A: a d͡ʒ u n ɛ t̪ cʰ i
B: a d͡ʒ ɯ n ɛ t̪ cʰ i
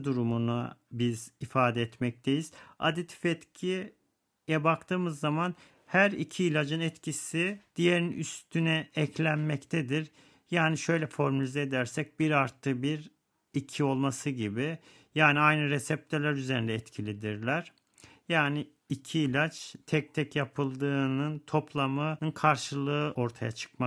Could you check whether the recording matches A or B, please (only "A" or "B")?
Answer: B